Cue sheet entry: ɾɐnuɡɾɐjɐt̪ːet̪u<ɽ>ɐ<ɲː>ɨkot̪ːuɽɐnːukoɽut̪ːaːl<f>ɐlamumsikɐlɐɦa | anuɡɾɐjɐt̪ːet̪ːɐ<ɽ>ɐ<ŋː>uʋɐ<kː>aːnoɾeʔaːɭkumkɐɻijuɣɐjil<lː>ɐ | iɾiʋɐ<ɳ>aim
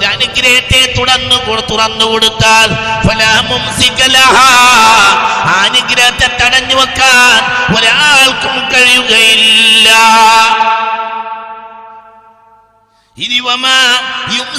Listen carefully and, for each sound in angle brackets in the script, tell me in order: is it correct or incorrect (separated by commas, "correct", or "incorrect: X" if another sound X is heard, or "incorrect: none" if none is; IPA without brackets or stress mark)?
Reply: correct, incorrect: nː, correct, correct, incorrect: ɲː, correct, correct, incorrect: m